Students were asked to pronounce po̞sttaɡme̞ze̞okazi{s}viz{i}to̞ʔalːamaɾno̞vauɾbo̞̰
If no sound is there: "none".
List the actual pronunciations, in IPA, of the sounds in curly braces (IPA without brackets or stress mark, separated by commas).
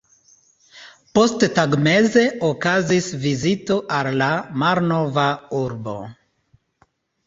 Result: s, i